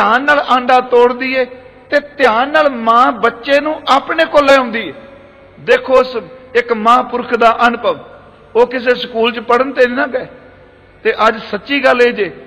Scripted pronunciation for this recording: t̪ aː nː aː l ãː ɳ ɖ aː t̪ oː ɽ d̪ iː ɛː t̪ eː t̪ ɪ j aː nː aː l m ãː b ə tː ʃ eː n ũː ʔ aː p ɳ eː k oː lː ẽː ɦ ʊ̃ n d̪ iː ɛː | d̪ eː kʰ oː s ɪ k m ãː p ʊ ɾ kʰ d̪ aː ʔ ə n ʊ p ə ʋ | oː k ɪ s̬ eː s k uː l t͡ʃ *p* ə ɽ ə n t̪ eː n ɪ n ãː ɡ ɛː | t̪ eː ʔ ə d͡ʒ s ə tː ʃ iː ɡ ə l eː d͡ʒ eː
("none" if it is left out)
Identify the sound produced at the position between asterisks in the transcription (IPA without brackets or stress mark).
p